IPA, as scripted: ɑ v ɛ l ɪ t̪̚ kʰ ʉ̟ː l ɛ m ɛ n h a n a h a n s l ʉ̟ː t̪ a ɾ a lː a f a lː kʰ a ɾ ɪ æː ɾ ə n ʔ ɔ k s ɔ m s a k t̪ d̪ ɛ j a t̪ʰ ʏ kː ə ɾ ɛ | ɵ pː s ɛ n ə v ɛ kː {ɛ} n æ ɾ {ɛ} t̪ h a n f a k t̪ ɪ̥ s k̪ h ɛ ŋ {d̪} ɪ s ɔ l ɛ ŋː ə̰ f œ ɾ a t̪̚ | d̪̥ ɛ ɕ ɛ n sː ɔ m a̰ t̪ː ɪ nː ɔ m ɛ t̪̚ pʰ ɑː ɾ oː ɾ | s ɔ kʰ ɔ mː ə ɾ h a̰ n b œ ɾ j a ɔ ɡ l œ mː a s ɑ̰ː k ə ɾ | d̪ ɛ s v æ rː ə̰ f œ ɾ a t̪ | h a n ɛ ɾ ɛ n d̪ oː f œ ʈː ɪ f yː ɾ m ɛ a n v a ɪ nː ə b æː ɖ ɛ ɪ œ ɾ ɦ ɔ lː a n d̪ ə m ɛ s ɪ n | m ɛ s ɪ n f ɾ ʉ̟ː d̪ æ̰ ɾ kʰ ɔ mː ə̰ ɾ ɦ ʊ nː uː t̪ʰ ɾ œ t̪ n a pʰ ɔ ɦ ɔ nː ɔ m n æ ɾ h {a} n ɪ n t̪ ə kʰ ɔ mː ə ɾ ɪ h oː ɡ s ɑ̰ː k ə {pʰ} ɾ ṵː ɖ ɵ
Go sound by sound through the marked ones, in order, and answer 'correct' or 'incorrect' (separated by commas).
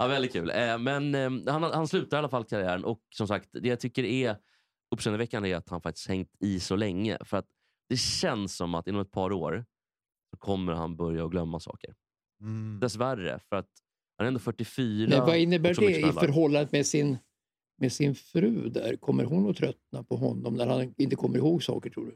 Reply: incorrect, incorrect, incorrect, correct, incorrect